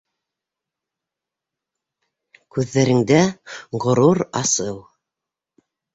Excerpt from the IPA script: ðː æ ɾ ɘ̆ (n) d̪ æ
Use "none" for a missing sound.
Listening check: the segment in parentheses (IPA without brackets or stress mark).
ŋ